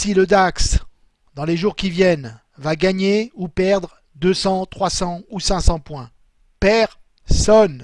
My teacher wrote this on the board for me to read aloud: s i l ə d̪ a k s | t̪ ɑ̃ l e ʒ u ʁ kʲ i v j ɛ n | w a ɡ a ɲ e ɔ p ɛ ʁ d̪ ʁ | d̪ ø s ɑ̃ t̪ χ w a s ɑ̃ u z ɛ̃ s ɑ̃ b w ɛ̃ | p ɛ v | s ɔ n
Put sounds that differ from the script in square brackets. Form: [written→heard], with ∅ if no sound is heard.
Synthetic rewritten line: s i l ə d̪ a k s | [t̪→d̪] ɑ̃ l e ʒ u ʁ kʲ i v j ɛ n | [w→v] a ɡ a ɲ e [ɔ→u] p ɛ ʁ d̪ ʁ | d̪ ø s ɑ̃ t̪ χ w a s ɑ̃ u [z→s] ɛ̃ s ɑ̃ [b→p] w ɛ̃ | p ɛ [v→ʁ] | s ɔ n